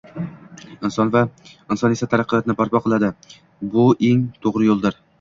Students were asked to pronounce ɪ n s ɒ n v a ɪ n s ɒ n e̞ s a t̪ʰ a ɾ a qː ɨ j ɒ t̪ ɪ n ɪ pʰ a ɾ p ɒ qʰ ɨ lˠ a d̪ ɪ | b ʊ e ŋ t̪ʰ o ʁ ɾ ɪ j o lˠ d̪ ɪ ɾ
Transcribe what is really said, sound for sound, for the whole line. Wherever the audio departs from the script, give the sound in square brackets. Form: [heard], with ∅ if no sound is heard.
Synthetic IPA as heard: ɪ n s ɒ n v a ɪ n s ɒ n e̞ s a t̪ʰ a ɾ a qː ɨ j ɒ t̪ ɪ n ɪ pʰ a ɾ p ɒ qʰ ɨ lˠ a d̪ ɪ | b ʊ e ŋ t̪ʰ o ʁ ɾ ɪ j o lˠ d̪ ɪ ɾ

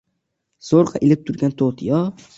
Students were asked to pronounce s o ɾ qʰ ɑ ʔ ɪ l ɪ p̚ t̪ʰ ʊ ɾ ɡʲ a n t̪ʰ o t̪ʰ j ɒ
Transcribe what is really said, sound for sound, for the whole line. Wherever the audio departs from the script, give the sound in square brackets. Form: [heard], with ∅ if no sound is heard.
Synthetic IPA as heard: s o ɾ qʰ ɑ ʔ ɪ l ɪ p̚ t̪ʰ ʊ ɾ ɡʲ a n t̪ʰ o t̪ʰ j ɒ

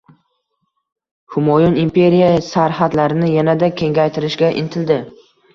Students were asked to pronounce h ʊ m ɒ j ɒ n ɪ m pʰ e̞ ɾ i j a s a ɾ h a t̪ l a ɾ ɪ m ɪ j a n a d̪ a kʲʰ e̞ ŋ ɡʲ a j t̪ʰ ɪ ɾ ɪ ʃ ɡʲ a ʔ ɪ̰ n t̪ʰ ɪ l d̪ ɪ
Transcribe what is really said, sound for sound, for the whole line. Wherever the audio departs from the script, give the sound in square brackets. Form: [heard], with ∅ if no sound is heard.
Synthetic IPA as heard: h ʊ m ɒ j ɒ n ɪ m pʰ e̞ ɾ i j a s a ɾ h a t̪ l a ɾ ɪ [n] ɪ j a n a d̪ a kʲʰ e̞ ŋ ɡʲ a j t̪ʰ ɪ ɾ ɪ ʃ ɡʲ a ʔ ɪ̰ n t̪ʰ ɪ l d̪ ɪ

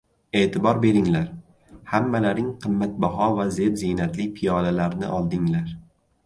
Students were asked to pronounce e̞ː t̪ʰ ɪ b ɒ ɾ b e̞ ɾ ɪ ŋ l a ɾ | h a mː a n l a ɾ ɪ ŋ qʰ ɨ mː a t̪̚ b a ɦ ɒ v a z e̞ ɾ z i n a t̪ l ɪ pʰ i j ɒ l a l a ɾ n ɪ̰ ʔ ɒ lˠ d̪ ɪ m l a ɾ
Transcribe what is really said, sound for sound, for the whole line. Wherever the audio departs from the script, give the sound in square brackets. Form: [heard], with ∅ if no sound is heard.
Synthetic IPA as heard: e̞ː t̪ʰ ɪ b ɒ ɾ b e̞ ɾ ɪ ŋ l a ɾ | h a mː a [∅] l a ɾ ɪ ŋ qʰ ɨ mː a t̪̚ b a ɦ ɒ v a z e̞ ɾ z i n a t̪ l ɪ pʰ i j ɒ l a l a ɾ n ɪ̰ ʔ ɒ lˠ d̪ ɪ [ŋ] l a ɾ

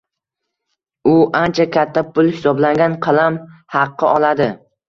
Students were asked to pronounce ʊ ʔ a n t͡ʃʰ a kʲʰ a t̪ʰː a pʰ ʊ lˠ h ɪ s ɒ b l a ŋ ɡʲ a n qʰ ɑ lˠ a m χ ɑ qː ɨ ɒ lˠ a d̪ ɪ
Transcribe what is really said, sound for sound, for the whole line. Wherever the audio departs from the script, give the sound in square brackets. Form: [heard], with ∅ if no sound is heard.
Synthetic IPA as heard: ʊ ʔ a n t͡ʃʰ a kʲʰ a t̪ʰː a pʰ ʊ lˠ h ɪ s ɒ b l a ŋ ɡʲ a n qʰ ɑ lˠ a m [h] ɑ qː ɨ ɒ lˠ a d̪ ɪ

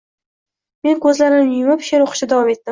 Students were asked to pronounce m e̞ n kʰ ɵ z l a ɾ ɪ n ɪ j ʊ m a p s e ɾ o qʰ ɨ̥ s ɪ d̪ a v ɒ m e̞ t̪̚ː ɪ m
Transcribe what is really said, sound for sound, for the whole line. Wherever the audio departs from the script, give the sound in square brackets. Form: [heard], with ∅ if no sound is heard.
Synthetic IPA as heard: m e̞ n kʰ ɵ z l a ɾ ɪ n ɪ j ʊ m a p [ʃ] e ɾ o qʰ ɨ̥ [ʃ] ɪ d̪ a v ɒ m e̞ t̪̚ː ɪ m

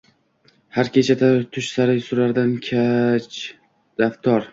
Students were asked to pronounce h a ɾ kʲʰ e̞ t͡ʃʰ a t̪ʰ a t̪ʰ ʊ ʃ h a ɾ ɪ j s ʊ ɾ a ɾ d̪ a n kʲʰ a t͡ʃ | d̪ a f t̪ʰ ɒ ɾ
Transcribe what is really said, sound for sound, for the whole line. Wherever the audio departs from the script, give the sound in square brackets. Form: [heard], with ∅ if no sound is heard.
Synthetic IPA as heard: h a ɾ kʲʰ e̞ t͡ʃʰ a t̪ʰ a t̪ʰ ʊ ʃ [s] a ɾ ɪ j s ʊ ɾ a ɾ d̪ a n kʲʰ a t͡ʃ | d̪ a f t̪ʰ ɒ ɾ

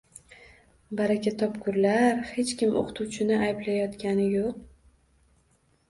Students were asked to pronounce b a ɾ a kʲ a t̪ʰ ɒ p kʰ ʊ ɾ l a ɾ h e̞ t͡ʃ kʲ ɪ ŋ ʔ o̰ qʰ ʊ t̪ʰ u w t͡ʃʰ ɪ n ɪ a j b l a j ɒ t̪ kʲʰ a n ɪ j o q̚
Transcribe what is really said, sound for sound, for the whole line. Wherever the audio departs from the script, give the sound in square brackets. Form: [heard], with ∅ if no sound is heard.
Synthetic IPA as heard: b a ɾ a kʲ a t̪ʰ ɒ p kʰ ʊ ɾ l a ɾ h e̞ t͡ʃ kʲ ɪ [m] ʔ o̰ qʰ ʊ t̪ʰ u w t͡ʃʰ ɪ n ɪ a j b l a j ɒ t̪ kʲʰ a n ɪ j o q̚

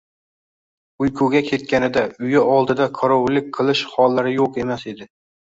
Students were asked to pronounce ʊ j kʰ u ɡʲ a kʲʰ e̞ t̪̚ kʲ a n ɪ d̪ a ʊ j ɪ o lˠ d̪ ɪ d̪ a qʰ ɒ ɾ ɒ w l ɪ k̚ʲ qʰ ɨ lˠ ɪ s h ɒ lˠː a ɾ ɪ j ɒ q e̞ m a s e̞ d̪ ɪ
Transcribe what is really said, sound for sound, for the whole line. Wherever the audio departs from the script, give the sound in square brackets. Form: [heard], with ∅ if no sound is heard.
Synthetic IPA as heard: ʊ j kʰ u ɡʲ a kʲʰ e̞ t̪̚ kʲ a n ɪ d̪ a ʊ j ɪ [ɒ] lˠ d̪ ɪ d̪ a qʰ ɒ ɾ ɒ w l ɪ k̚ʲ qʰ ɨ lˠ ɪ [ʃ] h ɒ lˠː a ɾ ɪ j [o] q e̞ m a s e̞ d̪ ɪ

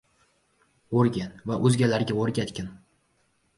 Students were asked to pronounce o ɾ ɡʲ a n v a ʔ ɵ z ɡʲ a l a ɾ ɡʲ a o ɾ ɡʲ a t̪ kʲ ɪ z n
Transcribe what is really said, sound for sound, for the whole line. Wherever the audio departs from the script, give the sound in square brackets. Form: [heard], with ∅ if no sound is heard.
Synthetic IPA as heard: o ɾ ɡʲ a n v a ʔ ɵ z ɡʲ a l a ɾ ɡʲ a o ɾ ɡʲ a t̪ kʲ ɪ [∅] n

